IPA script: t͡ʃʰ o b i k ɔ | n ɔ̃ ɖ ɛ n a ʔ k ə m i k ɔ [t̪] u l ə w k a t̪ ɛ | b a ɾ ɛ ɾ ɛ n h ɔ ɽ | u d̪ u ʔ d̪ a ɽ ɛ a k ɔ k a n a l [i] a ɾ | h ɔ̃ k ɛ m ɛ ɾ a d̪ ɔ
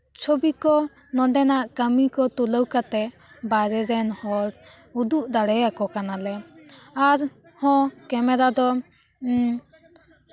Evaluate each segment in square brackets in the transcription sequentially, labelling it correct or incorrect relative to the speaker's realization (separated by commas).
correct, incorrect